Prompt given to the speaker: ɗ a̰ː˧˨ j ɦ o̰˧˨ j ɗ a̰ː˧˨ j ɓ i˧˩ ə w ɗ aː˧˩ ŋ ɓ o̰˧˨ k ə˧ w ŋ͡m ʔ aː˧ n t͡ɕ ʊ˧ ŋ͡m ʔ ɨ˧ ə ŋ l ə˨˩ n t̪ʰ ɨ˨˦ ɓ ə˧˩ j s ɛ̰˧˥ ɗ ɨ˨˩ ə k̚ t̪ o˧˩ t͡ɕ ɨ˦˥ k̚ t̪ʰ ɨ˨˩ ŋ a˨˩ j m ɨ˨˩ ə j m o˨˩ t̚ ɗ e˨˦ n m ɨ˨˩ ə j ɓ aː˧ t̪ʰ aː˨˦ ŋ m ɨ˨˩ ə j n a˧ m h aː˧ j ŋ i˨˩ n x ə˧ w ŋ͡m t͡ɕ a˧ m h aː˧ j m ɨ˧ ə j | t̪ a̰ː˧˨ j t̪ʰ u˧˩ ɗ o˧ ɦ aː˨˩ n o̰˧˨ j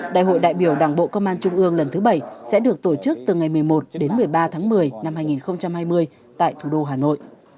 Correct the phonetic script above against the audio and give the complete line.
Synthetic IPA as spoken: ɗ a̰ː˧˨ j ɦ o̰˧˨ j ɗ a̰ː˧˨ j ɓ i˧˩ ə w ɗ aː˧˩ ŋ ɓ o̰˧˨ k ə˧ w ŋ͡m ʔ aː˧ n t͡ɕ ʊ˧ ŋ͡m ʔ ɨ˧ ə ŋ l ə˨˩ n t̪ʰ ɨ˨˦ ɓ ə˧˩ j s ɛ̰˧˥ ɗ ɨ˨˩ ə k̚ t̪ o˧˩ t͡ɕ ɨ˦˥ k̚ t̪ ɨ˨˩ ŋ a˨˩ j m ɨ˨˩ ə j m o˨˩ t̚ ɗ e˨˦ n m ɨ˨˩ ə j ɓ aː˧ t̪ʰ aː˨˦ ŋ m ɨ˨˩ ə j n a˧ m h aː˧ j ŋ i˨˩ n x ə˧ w ŋ͡m t͡ɕ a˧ m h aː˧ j m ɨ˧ ə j | t̪ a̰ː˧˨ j t̪ʰ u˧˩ ɗ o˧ ɦ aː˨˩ n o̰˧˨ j